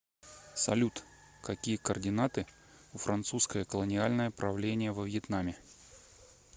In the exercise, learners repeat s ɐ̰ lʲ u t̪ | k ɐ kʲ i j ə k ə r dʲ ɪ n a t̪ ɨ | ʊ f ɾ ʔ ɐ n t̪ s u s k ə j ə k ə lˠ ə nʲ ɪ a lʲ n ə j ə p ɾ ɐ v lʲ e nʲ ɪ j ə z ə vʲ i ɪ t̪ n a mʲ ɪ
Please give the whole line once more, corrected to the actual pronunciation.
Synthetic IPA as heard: s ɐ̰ lʲ u t̪ | k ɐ kʲ i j ə k ə r dʲ ɪ n a t̪ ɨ | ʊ f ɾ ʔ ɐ n t̪ s u s k ə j ə k ə lˠ ə nʲ ɪ a lʲ n ə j ə p ɾ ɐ v lʲ e nʲ ɪ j ə v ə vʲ j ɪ t̪ n a mʲ ɪ